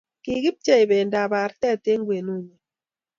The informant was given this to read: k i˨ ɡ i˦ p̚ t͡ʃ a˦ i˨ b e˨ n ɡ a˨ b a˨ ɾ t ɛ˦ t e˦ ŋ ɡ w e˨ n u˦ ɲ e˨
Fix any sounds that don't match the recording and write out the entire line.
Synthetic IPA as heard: k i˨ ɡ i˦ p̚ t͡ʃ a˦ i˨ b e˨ n d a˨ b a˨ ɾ t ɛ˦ t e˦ ŋ ɡ w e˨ n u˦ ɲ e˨